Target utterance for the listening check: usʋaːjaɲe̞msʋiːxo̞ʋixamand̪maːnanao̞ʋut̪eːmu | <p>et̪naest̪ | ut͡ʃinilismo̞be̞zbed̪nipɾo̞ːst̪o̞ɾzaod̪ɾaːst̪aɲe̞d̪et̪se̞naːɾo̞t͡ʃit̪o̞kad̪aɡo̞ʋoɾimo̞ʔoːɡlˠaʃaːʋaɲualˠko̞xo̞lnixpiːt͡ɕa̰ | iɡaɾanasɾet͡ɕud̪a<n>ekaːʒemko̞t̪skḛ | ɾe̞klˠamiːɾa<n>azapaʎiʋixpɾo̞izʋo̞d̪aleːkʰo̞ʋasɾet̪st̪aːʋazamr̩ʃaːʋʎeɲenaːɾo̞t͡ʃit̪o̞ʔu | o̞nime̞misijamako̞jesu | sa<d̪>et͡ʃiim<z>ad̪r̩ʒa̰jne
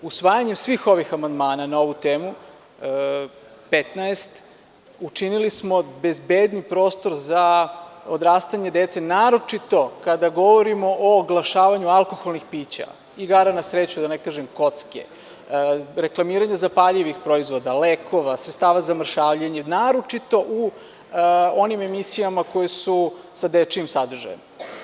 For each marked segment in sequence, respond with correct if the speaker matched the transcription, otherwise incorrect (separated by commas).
correct, correct, incorrect, correct, incorrect